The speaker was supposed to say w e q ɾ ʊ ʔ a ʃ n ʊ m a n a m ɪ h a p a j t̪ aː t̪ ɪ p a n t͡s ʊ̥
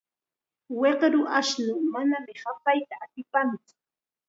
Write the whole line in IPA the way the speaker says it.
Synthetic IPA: w e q ɾ ʊ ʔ a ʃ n ʊ m a n a m ɪ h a p a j t̪ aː t̪ ɪ p a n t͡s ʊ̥